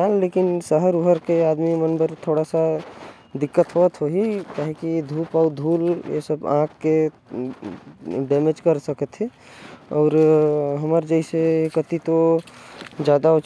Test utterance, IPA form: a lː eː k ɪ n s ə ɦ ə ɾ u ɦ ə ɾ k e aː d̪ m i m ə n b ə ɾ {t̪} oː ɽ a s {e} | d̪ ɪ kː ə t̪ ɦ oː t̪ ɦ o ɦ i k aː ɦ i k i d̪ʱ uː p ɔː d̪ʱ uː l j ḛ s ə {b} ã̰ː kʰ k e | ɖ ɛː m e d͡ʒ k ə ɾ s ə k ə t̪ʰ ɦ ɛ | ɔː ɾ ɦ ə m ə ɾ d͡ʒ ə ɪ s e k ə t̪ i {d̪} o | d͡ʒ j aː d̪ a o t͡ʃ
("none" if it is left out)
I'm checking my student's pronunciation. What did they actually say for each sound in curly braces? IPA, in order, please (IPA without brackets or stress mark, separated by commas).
t̪ʰ, a, b, t̪